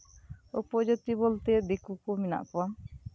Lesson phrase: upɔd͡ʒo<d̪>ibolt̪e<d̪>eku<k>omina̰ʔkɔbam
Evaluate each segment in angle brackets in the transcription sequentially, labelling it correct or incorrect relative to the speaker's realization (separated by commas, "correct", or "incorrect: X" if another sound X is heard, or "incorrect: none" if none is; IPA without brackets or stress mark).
incorrect: t̪, correct, correct